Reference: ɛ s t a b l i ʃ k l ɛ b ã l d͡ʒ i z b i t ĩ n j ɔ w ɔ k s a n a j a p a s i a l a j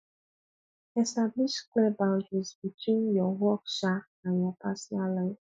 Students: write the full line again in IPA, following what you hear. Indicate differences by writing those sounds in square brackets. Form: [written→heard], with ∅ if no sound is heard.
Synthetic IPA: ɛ s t a b l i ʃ k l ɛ b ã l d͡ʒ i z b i t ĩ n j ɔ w ɔ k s a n a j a p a s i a l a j